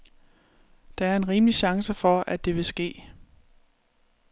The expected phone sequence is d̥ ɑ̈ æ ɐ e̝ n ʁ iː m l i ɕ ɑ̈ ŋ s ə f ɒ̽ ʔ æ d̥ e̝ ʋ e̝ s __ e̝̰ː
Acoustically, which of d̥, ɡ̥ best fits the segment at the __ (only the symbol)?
ɡ̥